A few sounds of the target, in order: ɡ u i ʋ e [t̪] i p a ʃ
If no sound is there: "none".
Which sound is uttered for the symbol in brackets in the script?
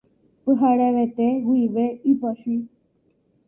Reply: none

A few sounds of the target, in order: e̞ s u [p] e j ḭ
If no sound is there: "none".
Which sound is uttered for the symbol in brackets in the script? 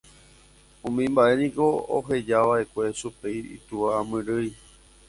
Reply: p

